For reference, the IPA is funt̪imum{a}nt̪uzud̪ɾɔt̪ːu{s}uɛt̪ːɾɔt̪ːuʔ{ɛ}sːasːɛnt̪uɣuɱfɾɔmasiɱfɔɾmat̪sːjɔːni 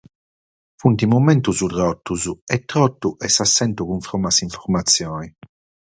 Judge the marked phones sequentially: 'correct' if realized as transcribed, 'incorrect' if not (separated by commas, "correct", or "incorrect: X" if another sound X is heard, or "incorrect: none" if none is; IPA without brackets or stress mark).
incorrect: ɛ, incorrect: z, correct